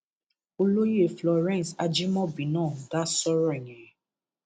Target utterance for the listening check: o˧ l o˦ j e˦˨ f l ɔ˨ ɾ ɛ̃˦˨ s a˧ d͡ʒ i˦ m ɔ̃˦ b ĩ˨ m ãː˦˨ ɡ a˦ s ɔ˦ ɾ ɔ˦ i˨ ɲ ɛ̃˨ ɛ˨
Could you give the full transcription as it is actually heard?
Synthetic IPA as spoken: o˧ l o˦ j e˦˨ f l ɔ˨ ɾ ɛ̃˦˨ s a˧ d͡ʒ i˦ m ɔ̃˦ b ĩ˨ n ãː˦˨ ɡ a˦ s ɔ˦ ɾ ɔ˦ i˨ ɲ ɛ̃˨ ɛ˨